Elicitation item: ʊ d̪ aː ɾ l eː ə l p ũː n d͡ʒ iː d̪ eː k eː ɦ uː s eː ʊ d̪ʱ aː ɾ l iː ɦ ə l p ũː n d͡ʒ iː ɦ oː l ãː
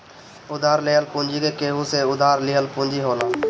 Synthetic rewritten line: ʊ d̪ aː ɾ l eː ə l p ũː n d͡ʒ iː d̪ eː k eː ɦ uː s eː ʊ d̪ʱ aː ɾ l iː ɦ ə l p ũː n d͡ʒ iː ɦ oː l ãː